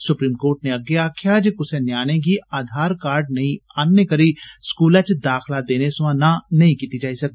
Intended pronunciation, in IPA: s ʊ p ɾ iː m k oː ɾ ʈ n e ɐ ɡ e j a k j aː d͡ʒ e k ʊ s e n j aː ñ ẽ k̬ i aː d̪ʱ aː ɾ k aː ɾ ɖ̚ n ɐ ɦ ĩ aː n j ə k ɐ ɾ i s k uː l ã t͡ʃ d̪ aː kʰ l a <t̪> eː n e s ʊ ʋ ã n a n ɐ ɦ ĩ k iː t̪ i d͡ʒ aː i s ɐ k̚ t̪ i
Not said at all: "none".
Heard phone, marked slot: d̪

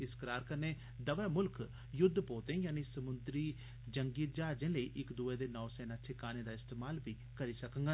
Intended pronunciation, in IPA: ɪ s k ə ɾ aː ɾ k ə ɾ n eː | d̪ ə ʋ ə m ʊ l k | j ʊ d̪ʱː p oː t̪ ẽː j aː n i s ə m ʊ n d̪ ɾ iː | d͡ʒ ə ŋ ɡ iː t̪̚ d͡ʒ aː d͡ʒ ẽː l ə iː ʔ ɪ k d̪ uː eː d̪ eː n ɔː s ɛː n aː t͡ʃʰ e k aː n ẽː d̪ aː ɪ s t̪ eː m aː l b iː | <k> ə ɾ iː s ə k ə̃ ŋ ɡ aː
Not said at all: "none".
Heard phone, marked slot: k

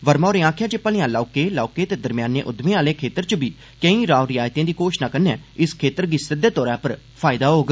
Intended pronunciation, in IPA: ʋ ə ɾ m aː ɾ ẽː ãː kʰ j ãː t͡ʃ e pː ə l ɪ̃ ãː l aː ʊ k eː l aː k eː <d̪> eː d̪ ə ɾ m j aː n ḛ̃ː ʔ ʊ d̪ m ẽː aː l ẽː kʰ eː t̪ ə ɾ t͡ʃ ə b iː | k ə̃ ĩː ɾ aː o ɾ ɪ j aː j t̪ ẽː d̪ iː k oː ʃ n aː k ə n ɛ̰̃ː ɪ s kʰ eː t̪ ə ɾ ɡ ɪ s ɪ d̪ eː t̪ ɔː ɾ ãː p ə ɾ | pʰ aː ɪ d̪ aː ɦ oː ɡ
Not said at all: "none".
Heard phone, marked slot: t̪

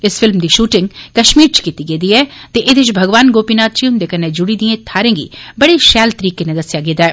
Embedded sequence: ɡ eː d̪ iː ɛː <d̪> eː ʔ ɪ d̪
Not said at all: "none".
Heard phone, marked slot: t̪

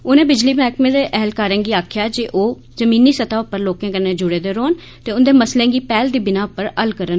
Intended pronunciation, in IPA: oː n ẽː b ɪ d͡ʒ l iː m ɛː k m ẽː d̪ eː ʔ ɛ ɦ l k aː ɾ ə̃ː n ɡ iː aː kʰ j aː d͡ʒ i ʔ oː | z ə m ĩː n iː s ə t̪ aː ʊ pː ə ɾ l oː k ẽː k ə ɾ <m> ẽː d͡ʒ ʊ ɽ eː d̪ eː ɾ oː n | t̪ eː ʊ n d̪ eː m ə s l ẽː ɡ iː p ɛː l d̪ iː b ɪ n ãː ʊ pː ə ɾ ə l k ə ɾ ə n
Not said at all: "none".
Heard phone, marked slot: n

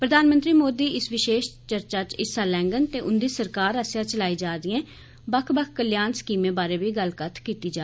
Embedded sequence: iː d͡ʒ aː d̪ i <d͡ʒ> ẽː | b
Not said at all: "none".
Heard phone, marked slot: none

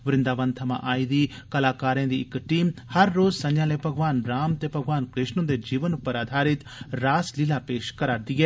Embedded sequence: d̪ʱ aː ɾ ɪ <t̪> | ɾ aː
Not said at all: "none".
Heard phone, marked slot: t̪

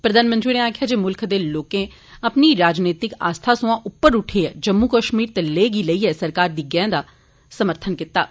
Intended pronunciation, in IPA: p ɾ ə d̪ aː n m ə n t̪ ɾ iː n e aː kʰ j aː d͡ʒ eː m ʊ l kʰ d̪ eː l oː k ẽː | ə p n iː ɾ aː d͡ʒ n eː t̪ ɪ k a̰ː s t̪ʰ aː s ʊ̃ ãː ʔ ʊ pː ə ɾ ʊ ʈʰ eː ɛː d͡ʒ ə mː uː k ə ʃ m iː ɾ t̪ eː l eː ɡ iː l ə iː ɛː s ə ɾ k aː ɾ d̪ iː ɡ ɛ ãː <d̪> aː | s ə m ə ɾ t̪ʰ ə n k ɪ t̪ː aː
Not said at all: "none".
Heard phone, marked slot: d̪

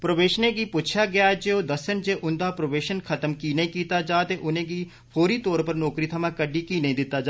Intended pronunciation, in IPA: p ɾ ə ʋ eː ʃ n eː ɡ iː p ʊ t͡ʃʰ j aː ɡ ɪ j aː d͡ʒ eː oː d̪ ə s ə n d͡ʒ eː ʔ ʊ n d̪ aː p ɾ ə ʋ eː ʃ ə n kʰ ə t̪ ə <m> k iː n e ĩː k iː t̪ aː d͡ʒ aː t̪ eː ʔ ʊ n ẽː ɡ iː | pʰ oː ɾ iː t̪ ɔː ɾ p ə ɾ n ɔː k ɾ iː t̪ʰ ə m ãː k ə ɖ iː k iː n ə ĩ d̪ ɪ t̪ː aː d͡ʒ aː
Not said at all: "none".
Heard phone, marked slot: m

